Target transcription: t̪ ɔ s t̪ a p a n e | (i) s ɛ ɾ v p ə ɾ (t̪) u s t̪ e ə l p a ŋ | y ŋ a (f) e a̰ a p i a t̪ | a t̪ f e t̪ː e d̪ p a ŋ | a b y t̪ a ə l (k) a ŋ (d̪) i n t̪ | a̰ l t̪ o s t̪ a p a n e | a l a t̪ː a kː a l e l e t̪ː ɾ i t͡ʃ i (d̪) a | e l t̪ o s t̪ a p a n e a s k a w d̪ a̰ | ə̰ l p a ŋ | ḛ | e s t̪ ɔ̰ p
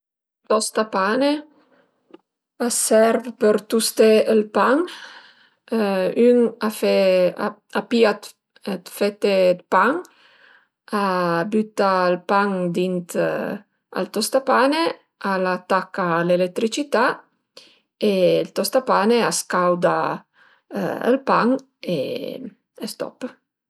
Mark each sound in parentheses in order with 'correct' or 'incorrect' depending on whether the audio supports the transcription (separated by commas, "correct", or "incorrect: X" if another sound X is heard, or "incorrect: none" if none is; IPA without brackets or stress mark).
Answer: incorrect: a, correct, correct, incorrect: p, correct, incorrect: t̪